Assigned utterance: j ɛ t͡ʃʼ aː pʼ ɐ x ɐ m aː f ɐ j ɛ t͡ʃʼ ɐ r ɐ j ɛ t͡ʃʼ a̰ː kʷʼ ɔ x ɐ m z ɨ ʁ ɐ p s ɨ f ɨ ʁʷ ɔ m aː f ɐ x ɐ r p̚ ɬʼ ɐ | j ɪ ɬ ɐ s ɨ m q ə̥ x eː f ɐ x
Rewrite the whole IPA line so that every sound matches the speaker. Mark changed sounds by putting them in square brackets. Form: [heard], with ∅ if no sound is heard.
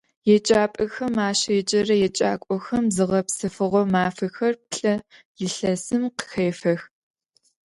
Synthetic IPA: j ɛ t͡ʃʼ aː pʼ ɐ x ɐ m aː [ɕ] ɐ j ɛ t͡ʃʼ ɐ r ɐ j ɛ t͡ʃʼ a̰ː kʷʼ ɔ x ɐ m z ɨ ʁ ɐ p s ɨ f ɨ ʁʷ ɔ m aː f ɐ x ɐ r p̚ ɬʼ ɐ | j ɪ ɬ ɐ s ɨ m q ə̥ x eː f ɐ x